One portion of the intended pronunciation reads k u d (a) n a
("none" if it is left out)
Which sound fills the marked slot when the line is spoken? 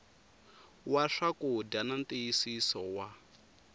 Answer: a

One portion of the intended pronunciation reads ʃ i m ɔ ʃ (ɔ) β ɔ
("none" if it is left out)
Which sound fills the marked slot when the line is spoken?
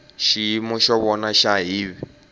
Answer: ɔ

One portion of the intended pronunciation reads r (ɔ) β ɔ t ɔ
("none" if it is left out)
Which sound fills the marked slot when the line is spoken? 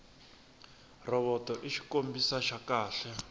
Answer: ɔ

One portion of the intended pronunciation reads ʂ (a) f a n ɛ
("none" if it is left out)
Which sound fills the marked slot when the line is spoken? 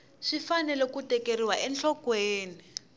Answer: i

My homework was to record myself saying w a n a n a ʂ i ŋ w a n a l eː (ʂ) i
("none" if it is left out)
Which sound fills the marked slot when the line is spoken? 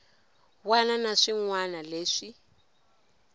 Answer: ʂ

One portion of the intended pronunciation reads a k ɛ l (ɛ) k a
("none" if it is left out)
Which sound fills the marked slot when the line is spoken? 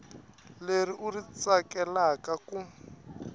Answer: a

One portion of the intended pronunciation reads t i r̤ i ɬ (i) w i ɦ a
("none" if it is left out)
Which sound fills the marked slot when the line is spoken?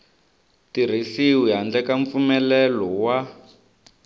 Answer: i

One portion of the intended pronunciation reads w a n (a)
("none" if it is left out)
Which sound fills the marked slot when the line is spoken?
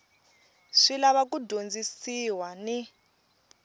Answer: i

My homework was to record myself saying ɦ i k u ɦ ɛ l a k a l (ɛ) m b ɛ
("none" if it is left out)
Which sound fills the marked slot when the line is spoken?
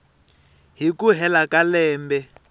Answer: ɛː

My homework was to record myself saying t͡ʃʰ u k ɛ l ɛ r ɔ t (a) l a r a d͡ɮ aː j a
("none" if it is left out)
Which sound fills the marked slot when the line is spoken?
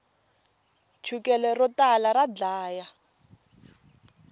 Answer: a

